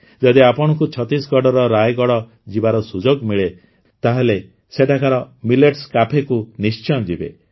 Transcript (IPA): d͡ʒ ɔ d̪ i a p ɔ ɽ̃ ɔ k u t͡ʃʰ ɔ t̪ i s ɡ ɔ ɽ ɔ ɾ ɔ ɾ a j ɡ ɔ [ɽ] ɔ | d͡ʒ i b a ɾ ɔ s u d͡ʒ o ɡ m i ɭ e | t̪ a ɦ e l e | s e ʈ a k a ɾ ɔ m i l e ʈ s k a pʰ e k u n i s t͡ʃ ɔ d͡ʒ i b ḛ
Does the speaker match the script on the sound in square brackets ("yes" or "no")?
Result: yes